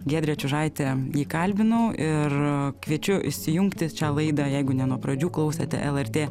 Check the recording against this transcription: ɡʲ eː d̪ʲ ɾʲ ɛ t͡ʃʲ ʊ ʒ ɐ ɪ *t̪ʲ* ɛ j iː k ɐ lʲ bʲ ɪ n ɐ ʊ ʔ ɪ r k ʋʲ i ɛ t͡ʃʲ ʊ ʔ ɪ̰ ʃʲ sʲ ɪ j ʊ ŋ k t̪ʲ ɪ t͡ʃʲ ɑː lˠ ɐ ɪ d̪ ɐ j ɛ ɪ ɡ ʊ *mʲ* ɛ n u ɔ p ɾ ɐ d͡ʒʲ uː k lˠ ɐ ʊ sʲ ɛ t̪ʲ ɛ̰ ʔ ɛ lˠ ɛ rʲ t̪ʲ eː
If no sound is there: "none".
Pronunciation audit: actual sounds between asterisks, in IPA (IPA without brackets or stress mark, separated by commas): t̪ʲ, nʲ